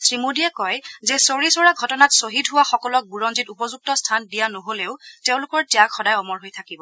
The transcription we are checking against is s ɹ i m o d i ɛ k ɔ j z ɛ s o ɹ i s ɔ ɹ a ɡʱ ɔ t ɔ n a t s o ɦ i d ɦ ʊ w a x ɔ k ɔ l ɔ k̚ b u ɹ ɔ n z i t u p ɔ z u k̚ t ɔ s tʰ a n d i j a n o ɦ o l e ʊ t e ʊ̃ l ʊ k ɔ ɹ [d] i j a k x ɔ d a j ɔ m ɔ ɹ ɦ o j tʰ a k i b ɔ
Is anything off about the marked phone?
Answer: yes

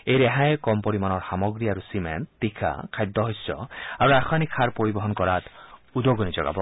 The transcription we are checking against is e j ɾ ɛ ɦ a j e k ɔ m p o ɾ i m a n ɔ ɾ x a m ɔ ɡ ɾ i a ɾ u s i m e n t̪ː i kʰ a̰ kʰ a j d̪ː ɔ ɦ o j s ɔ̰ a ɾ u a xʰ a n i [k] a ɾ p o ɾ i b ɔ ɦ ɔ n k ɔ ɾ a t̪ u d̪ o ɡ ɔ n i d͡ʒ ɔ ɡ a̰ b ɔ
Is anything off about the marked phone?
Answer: yes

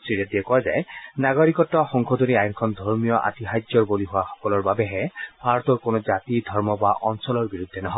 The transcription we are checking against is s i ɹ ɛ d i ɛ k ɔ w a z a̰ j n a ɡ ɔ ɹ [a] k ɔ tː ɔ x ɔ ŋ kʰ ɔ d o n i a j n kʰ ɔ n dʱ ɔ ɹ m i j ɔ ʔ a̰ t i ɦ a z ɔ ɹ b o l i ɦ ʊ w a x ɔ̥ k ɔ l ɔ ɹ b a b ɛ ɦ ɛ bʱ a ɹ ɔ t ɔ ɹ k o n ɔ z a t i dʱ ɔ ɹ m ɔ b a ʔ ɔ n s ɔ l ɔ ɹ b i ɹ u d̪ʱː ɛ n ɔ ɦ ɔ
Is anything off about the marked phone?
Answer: yes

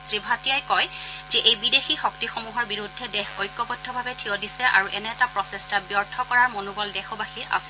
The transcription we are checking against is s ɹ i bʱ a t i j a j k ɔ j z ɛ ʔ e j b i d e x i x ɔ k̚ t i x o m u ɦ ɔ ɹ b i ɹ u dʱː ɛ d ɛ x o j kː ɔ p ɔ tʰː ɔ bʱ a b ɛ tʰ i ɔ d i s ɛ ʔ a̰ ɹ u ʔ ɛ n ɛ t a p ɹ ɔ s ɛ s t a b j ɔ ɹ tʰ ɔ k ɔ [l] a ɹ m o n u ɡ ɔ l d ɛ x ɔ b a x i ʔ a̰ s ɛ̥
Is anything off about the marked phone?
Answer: yes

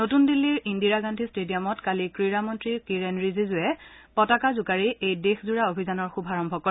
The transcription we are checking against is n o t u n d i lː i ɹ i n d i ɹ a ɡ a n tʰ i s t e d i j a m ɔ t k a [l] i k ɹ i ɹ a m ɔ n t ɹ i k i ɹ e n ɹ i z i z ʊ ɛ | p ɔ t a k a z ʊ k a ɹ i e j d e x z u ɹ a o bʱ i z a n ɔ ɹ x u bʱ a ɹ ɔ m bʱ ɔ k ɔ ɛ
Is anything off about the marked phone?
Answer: no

